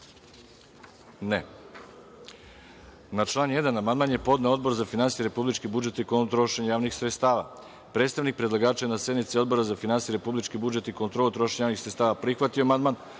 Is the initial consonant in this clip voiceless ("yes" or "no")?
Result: no